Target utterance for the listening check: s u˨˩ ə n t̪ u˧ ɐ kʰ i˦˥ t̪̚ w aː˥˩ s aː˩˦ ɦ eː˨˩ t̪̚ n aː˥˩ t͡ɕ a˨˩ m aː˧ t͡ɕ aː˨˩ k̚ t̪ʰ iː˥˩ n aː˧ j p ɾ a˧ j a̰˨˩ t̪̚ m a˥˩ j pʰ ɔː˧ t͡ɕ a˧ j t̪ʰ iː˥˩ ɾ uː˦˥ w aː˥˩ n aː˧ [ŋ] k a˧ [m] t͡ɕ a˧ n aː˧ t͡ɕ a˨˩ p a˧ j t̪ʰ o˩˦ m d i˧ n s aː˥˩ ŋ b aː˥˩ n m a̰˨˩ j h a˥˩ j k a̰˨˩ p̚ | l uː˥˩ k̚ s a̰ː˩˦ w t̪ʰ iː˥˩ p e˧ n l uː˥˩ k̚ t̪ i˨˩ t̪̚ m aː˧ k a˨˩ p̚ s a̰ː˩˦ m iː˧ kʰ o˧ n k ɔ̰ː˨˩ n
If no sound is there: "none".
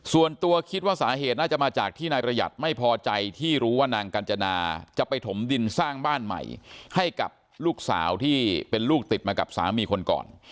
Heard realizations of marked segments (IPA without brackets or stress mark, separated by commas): ŋ, n